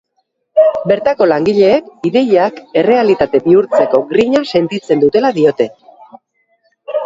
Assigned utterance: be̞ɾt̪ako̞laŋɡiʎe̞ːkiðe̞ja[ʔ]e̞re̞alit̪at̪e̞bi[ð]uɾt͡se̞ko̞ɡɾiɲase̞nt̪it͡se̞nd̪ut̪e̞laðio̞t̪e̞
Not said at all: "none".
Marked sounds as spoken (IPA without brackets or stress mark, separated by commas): k, none